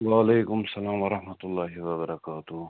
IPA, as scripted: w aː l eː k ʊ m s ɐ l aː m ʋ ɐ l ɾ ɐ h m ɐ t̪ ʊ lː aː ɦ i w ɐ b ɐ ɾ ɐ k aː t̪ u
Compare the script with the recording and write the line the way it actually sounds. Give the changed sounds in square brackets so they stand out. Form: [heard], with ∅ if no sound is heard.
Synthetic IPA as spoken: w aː l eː k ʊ m s ɐ l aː m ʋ ɐ [∅] ɾ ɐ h m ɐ t̪ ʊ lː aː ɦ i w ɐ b ɐ ɾ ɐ k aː t̪ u